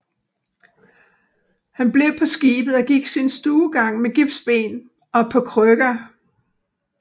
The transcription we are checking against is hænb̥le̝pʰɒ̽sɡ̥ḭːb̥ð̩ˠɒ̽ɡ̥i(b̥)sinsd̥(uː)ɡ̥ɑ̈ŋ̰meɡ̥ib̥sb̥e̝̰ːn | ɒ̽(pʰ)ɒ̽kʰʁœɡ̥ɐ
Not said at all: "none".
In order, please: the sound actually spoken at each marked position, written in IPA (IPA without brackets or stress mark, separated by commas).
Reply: ɡ̥, uː, pʰ